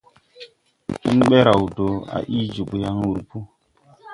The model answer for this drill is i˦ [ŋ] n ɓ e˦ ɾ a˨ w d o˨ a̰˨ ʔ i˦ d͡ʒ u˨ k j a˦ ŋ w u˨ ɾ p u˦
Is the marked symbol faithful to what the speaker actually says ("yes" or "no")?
no